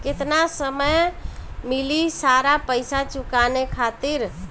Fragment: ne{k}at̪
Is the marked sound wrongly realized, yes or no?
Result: yes